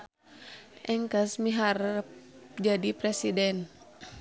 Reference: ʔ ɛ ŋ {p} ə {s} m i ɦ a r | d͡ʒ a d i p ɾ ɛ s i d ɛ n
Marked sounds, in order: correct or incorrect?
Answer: incorrect: k, correct

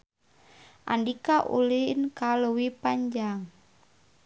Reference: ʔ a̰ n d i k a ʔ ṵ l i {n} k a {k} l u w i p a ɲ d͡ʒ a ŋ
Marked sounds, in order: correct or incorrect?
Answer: correct, incorrect: none

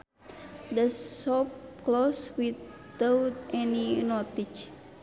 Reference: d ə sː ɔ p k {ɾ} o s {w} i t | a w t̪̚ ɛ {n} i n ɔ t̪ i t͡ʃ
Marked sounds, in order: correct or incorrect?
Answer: incorrect: l, correct, correct

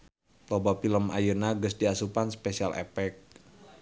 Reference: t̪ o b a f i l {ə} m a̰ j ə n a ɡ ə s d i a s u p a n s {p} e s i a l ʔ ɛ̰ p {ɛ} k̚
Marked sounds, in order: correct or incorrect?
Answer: correct, correct, correct

